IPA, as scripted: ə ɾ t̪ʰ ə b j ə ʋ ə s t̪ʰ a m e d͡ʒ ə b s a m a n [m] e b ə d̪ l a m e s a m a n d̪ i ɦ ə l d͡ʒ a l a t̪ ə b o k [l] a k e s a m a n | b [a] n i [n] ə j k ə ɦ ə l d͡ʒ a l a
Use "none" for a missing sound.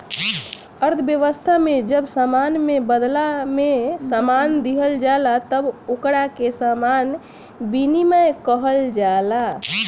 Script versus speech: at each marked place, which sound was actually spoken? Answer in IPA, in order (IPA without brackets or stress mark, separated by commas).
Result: m, ɽ, i, m